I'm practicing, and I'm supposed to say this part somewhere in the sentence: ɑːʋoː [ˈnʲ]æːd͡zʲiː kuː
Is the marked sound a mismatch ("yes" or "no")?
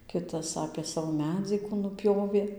yes